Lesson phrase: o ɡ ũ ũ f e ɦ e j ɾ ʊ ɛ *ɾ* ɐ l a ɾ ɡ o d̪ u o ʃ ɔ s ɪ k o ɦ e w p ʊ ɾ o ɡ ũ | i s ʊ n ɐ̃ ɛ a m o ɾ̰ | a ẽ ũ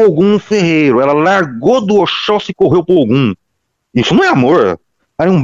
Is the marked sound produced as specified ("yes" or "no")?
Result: no